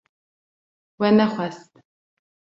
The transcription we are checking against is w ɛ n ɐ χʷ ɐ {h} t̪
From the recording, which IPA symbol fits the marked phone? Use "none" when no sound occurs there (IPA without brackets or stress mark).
s